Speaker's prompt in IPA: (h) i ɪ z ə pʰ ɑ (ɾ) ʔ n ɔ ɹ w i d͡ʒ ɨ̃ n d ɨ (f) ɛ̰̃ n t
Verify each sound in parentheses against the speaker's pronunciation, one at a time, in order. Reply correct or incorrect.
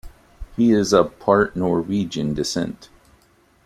correct, incorrect: ɹ, incorrect: s

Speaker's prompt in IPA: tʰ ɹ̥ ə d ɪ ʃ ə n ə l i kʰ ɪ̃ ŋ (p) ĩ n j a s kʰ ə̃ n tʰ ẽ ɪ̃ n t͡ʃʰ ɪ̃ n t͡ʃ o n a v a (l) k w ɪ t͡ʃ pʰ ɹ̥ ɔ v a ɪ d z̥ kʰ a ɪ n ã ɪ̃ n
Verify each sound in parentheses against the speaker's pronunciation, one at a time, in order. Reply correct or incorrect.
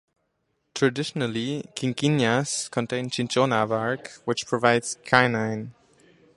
incorrect: k, incorrect: ɹ

